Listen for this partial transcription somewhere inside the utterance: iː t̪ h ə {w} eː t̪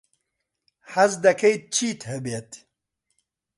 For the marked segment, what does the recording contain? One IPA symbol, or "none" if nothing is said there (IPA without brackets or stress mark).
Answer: b